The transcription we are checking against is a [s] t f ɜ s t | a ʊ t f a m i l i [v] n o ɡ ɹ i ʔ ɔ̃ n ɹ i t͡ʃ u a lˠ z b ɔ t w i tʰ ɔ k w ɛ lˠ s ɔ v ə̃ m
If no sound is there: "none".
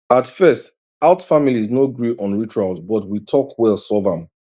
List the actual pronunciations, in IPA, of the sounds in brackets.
none, z

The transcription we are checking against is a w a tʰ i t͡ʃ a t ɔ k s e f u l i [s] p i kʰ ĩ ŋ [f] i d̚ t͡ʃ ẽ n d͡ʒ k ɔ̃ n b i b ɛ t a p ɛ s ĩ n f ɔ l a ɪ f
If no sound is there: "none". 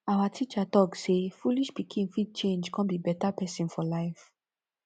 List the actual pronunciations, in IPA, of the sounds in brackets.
ʃ, f

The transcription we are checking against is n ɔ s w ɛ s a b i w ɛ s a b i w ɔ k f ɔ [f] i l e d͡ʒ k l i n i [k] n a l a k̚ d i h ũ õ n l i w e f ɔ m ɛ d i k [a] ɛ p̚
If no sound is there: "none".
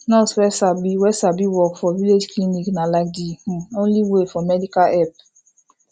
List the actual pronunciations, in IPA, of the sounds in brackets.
v, k, a

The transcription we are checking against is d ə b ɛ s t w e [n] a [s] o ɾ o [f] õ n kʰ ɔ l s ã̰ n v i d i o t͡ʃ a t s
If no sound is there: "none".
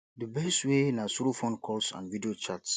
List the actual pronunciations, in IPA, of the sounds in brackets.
n, s, f

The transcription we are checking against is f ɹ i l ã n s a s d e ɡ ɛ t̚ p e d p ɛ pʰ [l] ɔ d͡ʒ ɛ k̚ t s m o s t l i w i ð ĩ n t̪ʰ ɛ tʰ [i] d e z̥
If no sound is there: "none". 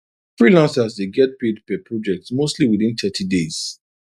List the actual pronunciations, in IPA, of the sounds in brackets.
ɹ, i

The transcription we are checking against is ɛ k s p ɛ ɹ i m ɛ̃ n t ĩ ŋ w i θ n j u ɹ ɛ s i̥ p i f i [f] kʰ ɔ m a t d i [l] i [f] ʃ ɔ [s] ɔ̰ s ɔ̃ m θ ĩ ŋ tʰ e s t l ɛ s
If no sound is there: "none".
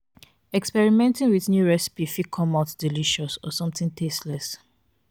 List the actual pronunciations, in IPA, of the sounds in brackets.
none, l, none, s

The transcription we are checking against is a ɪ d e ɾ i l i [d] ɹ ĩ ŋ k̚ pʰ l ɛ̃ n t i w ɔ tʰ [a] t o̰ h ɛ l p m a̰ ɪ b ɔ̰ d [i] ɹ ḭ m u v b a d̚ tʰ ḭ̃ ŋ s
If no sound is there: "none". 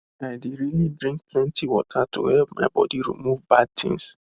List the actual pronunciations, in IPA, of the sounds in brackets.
d, a, i

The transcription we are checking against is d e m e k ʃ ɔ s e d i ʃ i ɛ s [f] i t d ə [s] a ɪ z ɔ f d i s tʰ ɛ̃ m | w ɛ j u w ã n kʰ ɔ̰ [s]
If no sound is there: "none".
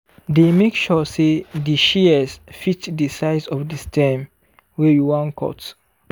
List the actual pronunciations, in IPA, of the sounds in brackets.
f, s, t

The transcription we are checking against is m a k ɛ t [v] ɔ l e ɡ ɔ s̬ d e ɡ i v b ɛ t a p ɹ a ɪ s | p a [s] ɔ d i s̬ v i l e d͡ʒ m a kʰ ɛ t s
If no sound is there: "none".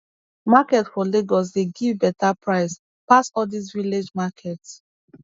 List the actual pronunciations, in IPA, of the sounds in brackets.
f, s

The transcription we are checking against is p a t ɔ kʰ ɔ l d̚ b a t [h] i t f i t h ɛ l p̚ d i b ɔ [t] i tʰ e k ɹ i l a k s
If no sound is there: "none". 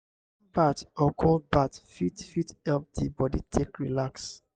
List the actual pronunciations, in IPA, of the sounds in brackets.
f, d

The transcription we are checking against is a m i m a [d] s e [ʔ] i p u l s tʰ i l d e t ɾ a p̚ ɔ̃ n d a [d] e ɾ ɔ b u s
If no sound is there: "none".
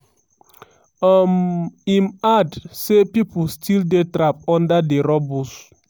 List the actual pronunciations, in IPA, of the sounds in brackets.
d, p, d

